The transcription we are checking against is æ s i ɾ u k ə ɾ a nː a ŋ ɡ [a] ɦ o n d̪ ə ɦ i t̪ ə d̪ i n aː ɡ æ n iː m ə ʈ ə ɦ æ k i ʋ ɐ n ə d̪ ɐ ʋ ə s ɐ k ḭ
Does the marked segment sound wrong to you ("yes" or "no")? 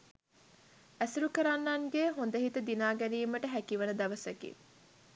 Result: yes